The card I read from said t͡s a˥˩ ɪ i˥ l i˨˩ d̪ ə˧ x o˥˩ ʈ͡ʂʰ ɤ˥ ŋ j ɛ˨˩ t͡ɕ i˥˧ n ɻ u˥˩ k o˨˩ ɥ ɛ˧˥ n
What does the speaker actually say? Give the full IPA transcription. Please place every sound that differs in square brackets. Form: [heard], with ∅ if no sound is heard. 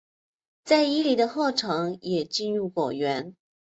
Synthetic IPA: t͡s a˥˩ ɪ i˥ l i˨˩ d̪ ə˧ x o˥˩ ʈ͡ʂʰ [ɤ˧˥] ŋ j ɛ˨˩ t͡ɕ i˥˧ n ɻ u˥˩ k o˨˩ ɥ ɛ˧˥ n